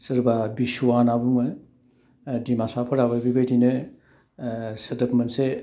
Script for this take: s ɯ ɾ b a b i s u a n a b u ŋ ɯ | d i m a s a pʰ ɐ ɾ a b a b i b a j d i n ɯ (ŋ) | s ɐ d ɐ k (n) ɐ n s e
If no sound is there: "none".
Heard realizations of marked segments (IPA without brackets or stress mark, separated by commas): none, m